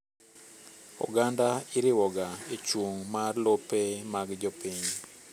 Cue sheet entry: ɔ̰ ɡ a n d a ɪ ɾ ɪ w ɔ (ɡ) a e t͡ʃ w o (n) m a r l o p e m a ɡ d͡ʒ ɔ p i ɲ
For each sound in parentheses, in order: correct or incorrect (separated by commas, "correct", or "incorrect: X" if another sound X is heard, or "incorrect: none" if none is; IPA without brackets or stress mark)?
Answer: correct, incorrect: ŋ